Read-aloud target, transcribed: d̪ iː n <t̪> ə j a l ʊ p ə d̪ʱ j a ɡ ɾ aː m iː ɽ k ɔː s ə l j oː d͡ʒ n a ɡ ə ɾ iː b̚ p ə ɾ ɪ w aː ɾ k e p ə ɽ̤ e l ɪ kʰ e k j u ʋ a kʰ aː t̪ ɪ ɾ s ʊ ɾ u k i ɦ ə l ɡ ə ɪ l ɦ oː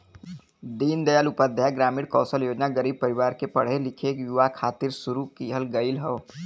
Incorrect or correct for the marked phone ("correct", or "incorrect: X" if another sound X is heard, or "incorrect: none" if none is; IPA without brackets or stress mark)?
incorrect: d̪